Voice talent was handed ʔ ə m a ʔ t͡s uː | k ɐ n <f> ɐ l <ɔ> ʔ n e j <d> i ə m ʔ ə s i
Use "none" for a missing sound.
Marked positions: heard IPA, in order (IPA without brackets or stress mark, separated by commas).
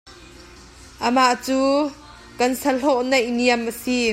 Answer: s, ɔ, n